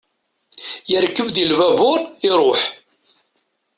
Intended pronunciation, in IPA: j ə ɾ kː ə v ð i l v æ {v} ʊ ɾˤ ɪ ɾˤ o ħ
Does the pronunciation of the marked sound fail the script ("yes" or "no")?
no